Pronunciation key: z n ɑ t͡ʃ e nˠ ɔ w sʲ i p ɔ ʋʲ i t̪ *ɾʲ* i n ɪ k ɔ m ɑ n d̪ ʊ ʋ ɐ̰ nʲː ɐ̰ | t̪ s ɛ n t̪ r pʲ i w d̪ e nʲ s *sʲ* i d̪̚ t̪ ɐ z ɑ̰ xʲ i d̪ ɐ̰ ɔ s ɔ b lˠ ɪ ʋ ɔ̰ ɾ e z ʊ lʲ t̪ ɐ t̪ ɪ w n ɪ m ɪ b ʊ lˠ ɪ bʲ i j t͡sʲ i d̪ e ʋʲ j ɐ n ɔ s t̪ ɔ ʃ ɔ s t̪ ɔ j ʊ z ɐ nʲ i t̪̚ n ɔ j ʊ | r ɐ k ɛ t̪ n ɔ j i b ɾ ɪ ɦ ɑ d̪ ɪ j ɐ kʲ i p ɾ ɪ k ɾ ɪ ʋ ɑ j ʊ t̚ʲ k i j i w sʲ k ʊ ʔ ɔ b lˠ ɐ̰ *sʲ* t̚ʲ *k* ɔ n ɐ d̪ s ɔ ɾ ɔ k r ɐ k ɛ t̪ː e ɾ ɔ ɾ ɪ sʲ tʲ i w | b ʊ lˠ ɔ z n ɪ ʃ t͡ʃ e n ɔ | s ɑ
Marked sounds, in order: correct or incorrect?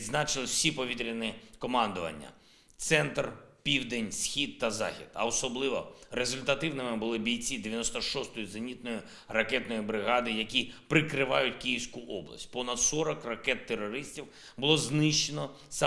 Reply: correct, incorrect: xʲ, correct, incorrect: p

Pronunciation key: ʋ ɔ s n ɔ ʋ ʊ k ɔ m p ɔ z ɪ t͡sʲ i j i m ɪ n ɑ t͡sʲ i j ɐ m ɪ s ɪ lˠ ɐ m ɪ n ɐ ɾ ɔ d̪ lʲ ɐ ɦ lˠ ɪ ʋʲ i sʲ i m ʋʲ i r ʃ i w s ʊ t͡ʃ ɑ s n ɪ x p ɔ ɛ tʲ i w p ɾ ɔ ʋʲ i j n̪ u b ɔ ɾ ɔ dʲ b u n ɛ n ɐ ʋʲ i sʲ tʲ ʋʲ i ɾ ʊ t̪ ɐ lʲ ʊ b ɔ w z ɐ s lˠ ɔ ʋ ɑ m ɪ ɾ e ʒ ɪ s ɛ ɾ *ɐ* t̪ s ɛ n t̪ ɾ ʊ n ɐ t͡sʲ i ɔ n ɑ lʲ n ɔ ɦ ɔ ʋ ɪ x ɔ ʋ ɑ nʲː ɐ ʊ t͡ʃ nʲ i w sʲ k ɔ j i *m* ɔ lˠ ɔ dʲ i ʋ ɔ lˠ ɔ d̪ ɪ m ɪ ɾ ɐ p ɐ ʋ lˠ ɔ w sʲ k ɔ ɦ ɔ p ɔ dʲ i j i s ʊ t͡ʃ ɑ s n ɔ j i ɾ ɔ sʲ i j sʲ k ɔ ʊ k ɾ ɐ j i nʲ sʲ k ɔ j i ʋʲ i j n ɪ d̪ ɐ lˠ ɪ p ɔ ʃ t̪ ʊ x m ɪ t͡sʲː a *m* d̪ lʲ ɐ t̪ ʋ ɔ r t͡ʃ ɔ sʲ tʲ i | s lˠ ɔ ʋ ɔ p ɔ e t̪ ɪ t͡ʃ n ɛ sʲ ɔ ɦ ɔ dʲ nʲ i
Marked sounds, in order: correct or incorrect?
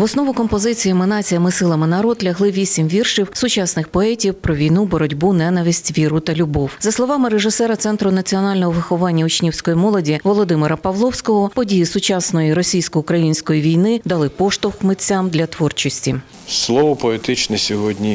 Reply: correct, correct, correct

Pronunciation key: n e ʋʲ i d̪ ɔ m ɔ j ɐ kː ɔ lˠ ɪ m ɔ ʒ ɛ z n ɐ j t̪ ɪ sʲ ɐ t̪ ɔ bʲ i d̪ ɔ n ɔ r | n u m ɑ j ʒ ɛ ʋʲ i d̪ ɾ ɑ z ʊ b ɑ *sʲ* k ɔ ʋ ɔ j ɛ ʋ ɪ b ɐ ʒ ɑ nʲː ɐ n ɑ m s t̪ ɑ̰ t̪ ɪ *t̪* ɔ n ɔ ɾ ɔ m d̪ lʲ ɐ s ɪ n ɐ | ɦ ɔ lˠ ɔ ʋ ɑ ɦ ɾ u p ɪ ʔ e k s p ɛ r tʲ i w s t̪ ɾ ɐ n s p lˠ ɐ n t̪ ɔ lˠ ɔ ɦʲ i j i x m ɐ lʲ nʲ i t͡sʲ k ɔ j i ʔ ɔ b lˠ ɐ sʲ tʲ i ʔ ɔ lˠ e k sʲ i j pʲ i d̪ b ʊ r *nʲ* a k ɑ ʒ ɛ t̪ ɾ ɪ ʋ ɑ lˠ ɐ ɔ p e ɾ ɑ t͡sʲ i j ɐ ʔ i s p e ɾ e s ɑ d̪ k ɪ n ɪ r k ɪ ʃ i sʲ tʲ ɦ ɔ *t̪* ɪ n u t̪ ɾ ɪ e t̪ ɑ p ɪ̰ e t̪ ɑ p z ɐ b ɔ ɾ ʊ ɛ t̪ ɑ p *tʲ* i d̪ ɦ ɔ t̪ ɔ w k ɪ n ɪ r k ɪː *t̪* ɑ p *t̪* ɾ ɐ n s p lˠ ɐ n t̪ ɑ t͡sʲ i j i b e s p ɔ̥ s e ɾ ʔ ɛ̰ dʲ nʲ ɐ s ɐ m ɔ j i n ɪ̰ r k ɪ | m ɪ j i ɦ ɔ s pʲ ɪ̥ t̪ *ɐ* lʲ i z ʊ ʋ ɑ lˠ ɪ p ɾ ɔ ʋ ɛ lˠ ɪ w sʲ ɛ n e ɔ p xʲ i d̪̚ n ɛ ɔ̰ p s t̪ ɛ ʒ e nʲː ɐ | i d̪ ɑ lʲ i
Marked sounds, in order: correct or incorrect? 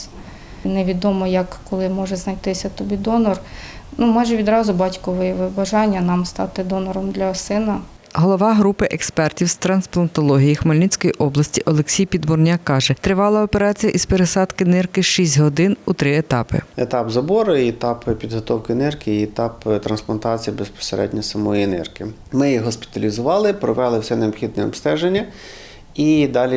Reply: incorrect: tʲ, incorrect: d̪, correct, incorrect: d̪, incorrect: pʲ, correct, correct, correct

